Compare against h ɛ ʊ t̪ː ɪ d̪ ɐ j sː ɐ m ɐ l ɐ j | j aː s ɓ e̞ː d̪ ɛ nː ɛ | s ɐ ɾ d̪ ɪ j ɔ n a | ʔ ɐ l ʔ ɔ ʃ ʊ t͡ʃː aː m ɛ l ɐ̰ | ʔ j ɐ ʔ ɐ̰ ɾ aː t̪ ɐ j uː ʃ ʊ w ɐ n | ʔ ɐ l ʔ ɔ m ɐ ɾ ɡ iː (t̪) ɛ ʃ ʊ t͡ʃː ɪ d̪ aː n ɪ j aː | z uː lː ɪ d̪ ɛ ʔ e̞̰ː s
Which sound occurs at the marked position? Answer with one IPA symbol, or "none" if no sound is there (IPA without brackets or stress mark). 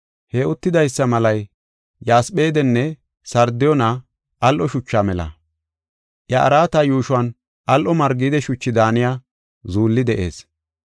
d̪